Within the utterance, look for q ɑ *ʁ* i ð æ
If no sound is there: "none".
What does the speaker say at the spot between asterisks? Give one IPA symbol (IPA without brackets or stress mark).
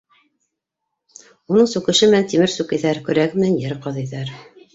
ð